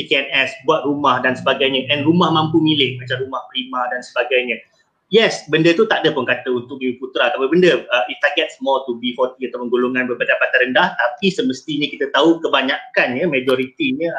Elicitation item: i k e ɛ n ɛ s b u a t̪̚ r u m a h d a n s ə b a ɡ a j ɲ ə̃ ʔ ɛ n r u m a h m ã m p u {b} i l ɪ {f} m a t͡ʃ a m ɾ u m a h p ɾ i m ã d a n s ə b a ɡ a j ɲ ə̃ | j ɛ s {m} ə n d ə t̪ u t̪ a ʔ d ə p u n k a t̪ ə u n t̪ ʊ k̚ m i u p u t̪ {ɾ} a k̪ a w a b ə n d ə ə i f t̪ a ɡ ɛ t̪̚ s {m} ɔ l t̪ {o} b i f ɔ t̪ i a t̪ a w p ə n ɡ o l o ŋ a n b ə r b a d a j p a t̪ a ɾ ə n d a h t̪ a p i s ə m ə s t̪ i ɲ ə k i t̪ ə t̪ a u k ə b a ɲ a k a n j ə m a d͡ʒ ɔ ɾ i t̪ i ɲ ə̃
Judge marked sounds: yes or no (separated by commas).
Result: no, no, no, yes, yes, no